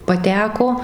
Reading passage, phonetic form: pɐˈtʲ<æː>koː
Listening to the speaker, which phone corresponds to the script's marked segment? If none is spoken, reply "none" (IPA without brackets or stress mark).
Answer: æː